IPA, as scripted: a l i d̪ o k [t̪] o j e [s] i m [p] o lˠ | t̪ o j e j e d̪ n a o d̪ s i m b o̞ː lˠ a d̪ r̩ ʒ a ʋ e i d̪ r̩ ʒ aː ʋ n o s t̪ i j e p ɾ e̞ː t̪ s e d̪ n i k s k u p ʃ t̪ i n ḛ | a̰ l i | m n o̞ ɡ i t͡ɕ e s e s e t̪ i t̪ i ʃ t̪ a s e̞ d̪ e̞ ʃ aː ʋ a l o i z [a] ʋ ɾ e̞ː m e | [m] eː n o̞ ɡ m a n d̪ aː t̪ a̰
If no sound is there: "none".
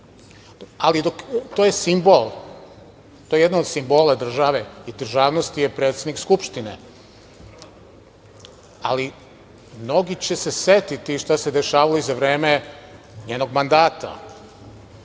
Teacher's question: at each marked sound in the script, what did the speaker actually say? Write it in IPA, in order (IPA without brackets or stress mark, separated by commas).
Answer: t̪, s, b, a, ɲ